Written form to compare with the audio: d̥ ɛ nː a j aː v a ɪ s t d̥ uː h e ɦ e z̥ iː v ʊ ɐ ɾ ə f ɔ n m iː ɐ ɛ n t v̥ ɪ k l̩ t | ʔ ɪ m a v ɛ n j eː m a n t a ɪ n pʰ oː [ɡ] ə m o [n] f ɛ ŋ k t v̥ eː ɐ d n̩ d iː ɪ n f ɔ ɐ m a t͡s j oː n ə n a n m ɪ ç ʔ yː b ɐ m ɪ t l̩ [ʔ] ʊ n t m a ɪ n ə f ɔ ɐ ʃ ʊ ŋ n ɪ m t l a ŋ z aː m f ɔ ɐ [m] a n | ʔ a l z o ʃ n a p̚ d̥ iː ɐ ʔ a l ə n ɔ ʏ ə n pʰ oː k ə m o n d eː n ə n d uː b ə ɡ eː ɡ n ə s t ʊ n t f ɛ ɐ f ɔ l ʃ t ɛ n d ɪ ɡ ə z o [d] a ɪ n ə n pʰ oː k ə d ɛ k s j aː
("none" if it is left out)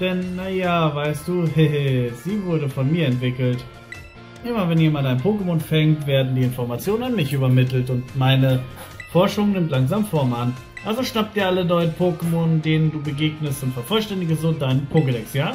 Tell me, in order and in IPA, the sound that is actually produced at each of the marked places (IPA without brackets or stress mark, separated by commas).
k, n, t, m, d